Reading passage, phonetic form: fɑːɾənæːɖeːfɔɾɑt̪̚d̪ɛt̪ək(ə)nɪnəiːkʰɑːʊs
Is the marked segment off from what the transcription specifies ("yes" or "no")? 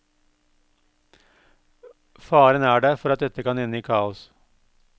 yes